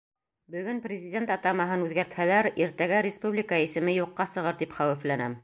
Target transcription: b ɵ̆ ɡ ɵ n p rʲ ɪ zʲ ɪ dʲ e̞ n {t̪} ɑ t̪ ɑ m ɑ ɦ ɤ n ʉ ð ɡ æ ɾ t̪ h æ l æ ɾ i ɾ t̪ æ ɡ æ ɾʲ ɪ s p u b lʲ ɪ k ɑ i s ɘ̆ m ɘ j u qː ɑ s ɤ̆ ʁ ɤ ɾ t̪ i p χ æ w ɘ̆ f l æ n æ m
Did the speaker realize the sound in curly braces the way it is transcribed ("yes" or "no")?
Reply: yes